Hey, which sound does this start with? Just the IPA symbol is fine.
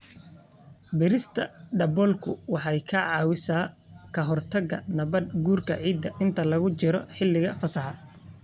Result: b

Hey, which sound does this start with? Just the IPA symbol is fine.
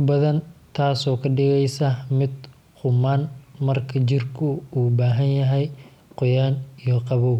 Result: b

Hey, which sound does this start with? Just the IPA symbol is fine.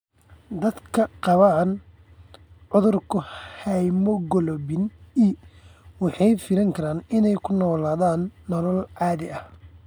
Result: d̪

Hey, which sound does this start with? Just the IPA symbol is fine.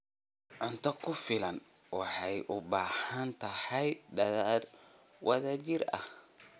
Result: ʕ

